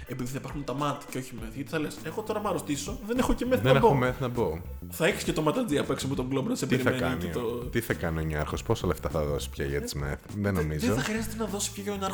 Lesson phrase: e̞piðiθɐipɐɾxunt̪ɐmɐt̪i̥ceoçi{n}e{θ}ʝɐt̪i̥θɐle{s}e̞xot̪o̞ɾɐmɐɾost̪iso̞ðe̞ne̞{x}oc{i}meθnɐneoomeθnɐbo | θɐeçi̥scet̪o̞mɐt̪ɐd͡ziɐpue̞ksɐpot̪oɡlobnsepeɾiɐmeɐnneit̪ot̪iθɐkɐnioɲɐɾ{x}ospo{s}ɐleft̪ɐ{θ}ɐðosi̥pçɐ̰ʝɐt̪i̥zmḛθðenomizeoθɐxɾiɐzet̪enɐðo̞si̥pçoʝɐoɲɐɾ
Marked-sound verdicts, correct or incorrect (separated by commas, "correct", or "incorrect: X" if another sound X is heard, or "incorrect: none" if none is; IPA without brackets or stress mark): incorrect: m, correct, correct, correct, incorrect: e, correct, correct, correct